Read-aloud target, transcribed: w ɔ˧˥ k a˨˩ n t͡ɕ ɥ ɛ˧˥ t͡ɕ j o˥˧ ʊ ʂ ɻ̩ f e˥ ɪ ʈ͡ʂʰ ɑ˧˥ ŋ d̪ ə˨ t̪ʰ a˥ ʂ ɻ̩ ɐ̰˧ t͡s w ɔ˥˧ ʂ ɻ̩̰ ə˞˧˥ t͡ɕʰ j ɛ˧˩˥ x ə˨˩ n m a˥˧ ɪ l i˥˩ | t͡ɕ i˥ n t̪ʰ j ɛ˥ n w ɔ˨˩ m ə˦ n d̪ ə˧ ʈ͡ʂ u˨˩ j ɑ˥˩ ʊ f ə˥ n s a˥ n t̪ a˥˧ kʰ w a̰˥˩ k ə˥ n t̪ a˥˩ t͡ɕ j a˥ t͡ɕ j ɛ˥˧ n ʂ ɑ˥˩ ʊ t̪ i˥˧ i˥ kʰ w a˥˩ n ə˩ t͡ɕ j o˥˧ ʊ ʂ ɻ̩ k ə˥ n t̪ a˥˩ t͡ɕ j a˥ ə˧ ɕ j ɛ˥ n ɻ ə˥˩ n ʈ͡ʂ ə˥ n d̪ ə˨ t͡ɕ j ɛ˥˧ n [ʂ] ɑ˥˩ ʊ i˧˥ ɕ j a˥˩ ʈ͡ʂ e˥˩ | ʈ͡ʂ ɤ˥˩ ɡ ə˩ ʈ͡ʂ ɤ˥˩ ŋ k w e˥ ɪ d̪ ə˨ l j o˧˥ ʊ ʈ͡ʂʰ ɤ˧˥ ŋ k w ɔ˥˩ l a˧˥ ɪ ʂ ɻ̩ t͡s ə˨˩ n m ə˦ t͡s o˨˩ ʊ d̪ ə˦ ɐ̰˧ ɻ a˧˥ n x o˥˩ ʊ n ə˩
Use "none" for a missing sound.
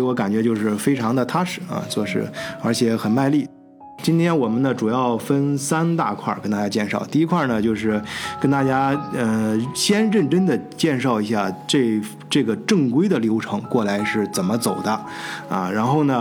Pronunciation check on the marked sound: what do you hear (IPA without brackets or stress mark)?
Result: ʂ